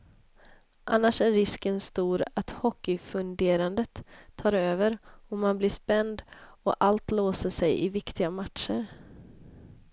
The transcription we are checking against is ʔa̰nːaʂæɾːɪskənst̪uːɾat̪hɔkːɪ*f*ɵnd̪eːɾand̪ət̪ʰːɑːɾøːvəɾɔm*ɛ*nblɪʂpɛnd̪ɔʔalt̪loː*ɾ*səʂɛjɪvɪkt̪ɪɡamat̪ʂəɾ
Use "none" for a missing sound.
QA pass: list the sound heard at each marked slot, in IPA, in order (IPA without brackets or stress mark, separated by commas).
f, a, none